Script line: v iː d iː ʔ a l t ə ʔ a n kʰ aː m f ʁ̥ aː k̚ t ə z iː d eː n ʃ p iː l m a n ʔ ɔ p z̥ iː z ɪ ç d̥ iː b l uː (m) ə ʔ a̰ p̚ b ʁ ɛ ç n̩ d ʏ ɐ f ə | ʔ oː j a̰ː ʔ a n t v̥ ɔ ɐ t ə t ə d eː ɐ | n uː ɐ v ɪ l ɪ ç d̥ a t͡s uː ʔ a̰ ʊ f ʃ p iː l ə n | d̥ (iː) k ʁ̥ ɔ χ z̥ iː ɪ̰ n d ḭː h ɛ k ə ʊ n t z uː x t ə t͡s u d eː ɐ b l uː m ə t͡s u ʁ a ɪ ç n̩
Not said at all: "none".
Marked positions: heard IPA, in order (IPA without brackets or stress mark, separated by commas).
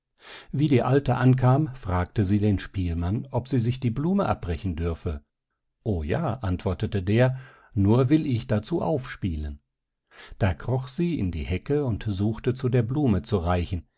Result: m, aː